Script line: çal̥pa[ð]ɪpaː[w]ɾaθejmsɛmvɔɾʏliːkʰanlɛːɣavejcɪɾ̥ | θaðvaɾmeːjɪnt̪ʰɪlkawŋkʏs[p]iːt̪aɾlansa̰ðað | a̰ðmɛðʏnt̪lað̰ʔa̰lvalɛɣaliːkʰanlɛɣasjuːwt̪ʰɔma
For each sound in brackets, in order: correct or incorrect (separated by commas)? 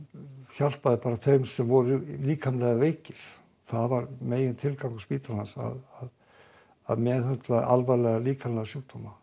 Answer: correct, incorrect, correct